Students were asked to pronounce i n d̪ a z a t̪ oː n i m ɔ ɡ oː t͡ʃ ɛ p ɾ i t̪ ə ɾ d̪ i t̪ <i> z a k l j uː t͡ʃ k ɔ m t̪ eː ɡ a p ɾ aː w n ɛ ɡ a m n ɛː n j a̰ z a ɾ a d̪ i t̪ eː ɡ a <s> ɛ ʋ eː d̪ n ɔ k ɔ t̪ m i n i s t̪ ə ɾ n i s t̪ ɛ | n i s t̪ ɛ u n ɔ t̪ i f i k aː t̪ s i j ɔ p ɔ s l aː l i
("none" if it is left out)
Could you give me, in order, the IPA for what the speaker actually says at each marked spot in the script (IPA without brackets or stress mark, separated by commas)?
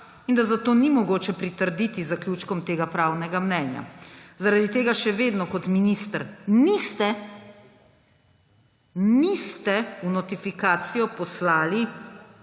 i, ʃ